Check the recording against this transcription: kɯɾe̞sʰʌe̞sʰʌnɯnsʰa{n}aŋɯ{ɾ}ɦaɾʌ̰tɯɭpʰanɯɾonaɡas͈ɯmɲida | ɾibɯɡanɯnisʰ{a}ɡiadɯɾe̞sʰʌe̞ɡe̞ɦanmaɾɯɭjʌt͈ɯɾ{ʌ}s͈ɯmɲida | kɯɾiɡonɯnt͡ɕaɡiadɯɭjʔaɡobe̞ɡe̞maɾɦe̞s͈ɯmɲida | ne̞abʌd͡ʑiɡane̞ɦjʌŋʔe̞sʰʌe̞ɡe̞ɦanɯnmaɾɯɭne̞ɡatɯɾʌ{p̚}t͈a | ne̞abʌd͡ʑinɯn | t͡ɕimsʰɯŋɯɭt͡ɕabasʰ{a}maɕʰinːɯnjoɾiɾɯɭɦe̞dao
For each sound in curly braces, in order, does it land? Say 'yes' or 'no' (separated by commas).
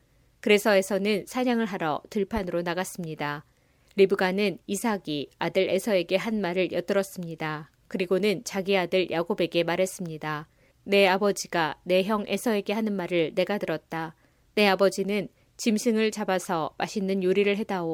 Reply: no, no, yes, yes, no, no